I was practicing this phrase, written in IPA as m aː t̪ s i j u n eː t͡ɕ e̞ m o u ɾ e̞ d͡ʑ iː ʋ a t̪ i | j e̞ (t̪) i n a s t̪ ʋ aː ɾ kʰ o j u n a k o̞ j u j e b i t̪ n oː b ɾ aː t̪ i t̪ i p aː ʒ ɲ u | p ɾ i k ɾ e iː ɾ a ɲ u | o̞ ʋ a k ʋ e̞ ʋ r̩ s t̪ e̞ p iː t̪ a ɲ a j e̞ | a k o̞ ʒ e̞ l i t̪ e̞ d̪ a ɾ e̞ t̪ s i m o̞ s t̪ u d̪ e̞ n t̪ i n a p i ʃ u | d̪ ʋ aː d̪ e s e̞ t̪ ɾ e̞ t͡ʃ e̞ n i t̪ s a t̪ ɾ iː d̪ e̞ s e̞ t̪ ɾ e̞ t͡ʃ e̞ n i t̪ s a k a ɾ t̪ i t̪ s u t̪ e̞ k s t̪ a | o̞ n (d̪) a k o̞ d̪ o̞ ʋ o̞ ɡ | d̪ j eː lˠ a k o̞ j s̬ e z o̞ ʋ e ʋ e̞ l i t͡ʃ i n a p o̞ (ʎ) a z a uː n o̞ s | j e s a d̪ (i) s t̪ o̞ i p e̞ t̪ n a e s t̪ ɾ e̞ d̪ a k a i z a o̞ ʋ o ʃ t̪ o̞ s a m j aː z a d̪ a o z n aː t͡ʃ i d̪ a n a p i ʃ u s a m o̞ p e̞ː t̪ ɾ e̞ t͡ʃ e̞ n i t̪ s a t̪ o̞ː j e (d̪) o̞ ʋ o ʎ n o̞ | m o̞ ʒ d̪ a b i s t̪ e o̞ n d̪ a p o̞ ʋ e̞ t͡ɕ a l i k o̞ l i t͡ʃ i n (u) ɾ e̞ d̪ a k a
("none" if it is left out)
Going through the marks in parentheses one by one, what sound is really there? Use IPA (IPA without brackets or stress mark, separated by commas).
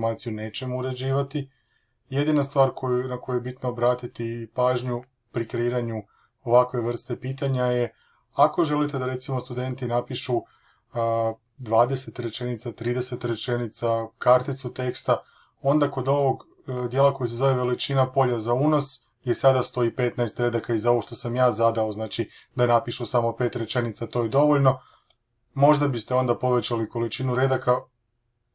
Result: d̪, d̪, ʎ, a, d̪, u